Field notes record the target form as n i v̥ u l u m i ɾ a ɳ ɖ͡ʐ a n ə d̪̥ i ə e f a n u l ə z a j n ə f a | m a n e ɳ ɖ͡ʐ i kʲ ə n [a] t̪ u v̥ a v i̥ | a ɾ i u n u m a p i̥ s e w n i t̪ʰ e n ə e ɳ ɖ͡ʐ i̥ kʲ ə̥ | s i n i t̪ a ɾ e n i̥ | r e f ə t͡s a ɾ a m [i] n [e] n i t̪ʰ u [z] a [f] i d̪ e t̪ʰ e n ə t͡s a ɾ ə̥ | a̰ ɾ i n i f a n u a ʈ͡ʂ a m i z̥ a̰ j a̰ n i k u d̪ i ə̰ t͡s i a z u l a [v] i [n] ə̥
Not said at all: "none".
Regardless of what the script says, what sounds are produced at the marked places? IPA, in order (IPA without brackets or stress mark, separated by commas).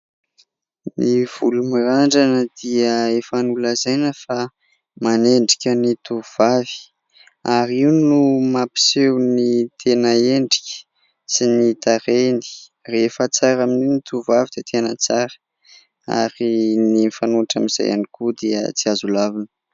i, i, i, v, v, v, n